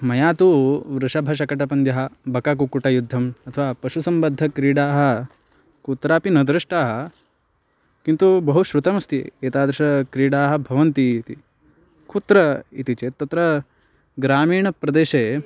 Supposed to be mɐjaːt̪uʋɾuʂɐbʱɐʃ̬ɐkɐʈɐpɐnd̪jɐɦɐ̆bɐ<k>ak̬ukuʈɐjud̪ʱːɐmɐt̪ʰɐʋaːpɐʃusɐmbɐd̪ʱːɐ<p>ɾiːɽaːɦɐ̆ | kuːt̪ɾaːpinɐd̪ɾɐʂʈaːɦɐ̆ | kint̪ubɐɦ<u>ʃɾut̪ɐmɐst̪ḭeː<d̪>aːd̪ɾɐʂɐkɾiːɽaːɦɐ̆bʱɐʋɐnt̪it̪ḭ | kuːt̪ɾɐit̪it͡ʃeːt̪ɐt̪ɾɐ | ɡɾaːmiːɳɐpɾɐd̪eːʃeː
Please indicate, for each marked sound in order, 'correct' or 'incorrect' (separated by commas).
correct, incorrect, correct, incorrect